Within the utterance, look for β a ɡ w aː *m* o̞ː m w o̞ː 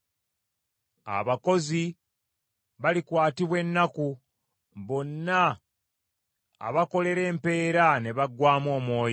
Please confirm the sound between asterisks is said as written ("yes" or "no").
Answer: yes